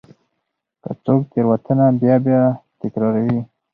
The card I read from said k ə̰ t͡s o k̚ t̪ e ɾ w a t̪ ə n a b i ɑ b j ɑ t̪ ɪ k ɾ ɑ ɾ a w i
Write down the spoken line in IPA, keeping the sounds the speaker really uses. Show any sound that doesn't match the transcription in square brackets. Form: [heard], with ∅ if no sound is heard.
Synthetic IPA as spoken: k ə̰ t͡s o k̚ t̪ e ɾ w a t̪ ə n a b [j] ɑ b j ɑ t̪ ɪ k ɾ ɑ ɾ a w i